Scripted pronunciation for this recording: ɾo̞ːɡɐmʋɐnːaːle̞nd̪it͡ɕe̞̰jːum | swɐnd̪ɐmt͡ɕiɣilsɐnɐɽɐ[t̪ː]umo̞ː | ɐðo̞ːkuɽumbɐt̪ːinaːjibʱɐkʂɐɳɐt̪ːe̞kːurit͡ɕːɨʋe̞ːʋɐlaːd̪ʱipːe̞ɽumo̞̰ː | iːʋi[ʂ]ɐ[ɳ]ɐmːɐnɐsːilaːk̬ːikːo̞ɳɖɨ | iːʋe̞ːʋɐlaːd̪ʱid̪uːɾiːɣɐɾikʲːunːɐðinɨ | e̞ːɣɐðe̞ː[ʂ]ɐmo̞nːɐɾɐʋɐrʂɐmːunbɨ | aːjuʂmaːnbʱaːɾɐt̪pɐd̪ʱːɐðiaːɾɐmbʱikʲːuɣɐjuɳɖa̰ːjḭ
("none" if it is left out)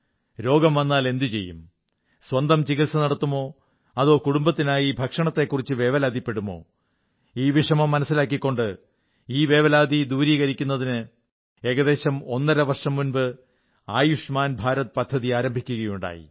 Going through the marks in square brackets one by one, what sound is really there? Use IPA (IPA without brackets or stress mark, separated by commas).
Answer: t̪ː, ʂ, m, ɕ